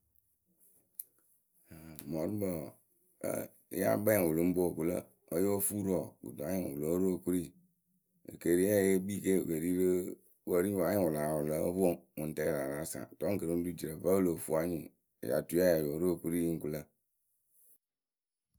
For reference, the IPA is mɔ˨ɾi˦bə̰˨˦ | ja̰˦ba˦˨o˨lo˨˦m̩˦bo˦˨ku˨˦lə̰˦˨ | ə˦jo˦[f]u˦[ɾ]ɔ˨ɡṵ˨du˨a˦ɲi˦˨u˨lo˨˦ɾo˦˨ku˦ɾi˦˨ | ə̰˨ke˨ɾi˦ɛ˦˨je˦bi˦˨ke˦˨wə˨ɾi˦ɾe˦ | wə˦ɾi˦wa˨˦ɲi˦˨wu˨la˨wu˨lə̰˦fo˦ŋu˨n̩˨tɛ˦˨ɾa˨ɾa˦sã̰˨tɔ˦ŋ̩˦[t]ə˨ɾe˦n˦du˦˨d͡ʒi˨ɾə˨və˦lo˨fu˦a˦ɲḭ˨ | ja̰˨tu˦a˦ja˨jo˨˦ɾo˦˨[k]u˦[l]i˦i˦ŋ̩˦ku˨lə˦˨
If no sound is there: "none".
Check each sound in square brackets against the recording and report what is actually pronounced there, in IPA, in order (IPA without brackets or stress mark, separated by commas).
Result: f, ɾ, k, k, ɾ